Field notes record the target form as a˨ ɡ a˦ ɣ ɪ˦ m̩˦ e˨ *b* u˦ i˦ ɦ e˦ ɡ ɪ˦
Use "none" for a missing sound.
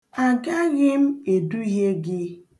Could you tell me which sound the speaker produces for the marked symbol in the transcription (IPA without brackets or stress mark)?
d